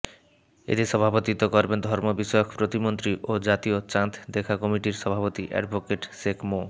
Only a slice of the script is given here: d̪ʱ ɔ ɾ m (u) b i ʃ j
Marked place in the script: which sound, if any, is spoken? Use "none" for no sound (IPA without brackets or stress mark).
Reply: o